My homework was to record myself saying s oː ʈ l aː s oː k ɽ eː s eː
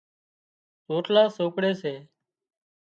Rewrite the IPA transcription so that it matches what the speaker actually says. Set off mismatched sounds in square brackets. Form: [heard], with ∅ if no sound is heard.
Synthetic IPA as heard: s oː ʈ l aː s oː k ɽ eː s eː

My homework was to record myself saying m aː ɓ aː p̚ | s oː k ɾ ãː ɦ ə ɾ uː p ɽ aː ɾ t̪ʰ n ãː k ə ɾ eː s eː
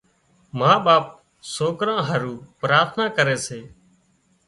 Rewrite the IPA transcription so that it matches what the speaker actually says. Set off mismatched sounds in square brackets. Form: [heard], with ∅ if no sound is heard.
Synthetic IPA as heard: m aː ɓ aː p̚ | s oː k ɾ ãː ɦ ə ɾ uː p [ɾ] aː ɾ t̪ʰ n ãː k ə ɾ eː s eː

